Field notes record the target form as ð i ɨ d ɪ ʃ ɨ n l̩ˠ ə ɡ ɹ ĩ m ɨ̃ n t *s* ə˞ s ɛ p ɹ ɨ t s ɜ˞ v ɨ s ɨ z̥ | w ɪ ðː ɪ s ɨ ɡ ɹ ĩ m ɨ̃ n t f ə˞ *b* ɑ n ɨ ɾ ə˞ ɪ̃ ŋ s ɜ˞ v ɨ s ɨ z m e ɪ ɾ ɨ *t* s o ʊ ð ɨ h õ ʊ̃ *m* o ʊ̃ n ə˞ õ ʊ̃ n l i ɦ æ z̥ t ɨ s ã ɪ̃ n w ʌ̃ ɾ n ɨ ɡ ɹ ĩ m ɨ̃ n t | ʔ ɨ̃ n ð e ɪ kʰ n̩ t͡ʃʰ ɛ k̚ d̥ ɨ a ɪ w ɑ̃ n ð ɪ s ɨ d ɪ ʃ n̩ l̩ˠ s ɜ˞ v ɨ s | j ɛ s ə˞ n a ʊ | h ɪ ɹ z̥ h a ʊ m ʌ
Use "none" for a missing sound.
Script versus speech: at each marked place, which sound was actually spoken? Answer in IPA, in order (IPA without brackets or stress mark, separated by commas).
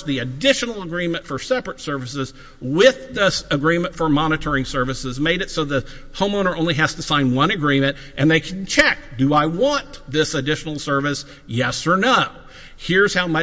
f, m, t, m